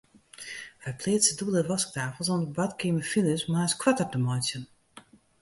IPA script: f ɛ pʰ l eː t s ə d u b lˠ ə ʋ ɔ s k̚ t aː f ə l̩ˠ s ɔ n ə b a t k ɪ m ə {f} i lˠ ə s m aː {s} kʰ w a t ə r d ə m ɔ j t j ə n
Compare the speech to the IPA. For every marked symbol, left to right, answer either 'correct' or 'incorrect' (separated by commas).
correct, correct